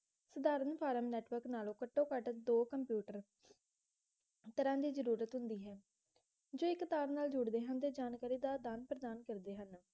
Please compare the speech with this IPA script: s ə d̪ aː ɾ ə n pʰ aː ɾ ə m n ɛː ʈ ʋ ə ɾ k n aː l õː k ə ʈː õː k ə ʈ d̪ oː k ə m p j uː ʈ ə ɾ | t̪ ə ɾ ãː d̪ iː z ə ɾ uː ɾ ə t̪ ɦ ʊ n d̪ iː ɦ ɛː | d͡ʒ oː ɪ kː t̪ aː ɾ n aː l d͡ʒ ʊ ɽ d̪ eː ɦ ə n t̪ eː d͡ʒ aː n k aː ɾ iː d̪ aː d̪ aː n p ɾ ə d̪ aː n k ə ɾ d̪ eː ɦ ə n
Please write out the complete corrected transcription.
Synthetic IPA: s ə d̪ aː ɾ ə n pʰ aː ɾ ə m n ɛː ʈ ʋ ə ɾ k n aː l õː k ə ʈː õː k ə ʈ d̪ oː k ə m p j uː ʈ ə ɾ | t̪ ə ɾ ãː d̪ iː z ə ɾ uː ɾ ə t̪ ɦ ʊ n d̪ iː ɦ ɛː | d͡ʒ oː ɪ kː t̪ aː ɾ n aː l d͡ʒ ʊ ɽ d̪ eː ɦ ə n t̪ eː d͡ʒ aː n k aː ɾ iː d̪ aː d̪ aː n p ɾ ə d̪ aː n k ə ɾ d̪ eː ɦ ə n